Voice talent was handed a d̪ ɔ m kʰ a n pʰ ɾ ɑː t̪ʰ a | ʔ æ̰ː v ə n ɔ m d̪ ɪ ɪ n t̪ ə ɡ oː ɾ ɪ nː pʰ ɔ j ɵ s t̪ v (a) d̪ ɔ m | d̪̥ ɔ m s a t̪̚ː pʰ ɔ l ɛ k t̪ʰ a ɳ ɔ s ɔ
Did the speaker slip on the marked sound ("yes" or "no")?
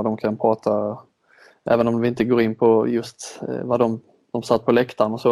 no